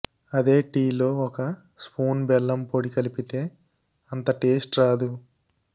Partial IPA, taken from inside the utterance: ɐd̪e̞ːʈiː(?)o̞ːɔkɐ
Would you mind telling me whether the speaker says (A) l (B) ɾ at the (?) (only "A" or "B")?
A